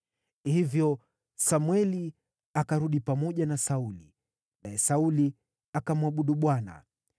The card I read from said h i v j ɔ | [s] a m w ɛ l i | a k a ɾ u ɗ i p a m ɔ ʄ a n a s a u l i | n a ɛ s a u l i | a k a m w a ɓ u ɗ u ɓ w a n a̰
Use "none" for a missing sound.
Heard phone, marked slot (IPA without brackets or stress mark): s